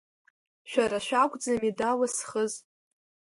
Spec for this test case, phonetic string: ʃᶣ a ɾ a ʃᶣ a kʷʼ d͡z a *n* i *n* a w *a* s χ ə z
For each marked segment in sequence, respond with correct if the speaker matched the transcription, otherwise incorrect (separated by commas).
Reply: incorrect, incorrect, correct